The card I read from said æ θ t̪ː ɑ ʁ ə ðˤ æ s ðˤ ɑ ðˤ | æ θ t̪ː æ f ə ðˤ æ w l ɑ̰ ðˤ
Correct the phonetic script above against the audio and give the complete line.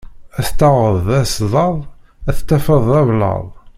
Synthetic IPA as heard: æ θ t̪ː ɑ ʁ ə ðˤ æ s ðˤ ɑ ðˤ | æ θ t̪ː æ f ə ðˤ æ v l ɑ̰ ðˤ